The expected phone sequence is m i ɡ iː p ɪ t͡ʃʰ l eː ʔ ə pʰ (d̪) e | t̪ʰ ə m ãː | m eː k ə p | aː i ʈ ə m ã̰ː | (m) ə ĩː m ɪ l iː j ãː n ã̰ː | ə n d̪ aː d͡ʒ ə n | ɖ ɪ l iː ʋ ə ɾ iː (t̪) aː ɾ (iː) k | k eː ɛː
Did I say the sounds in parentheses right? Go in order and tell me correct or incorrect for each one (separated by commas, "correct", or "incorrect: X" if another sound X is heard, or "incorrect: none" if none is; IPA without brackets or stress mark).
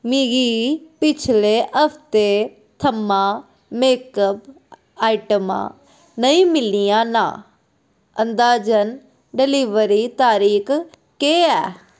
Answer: incorrect: t̪, incorrect: n, correct, correct